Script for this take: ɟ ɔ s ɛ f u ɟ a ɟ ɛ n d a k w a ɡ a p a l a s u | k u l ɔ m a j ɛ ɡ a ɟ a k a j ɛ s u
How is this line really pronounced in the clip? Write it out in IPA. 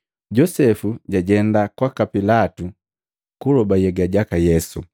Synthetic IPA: ɟ ɔ s ɛ f u ɟ a ɟ ɛ n d a k w a k a p i l a t u | k u l ɔ b a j ɛ ɡ a ɟ a k a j ɛ s u

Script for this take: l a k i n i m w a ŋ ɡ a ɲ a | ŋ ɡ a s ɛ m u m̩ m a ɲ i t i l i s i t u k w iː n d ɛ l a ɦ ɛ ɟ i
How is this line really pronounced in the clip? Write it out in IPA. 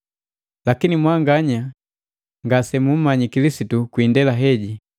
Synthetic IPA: l a k i n i m w a ŋ ɡ a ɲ a | ŋ ɡ a s ɛ m u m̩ m a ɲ i k i l i s i t u k w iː n d ɛ l a ɦ ɛ ɟ i

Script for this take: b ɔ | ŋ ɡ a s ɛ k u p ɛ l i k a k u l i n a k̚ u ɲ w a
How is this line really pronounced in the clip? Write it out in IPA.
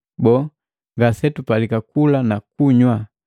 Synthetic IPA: b ɔ | ŋ ɡ a s ɛ t u p a l i k a k u l a n a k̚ u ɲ w a

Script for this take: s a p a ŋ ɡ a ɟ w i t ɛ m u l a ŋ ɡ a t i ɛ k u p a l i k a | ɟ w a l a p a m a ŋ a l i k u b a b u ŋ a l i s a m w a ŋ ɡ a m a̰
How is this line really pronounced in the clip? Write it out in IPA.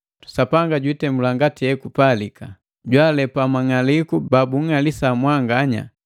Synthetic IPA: s a p a ŋ ɡ a ɟ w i t ɛ m u l a ŋ ɡ a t i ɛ k u p a l i k a | ɟ w a l ɛ p a m a ŋ a l i k u b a b u ŋ a l i s a m w a ŋ ɡ a ɲ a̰

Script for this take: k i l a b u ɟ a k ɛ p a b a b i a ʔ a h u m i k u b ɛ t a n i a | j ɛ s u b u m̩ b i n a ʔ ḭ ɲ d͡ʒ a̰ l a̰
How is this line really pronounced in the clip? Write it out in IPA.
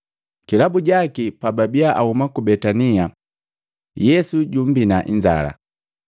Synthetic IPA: k i l a b u ɟ a k i p a b a b i a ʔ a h u m a k u b ɛ t a n i a | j ɛ s u ɟ u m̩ b i n a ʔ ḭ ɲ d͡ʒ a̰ l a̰

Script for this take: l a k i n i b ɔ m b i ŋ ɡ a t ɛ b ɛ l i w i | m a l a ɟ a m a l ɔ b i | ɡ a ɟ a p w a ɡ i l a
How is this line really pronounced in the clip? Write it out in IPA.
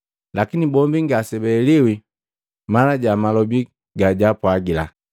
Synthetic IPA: l a k i n i b ɔ m b i ŋ ɡ a s ɛ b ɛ l i w i | m a l a ɟ a m a l ɔ b i | ɡ a ɟ a p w a ɡ i l a

